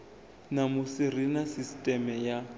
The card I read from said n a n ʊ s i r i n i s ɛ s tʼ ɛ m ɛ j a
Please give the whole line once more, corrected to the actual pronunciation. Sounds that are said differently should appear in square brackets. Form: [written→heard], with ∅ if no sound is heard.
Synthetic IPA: n a [n→m] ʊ s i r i n [i→a] s [ɛ→i] s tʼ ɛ m ɛ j a